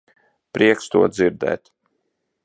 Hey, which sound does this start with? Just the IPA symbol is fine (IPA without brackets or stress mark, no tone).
p